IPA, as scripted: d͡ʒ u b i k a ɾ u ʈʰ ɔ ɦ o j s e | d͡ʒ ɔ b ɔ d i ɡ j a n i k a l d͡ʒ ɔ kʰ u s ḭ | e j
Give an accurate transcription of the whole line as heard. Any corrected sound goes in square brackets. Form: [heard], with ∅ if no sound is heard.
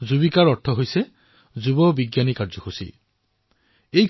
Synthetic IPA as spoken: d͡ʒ u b i k a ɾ [ɔ] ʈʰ ɔ ɦ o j s e | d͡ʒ [u] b ɔ [b] i ɡ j a n i k a [ɾ] d͡ʒ ɔ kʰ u s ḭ | e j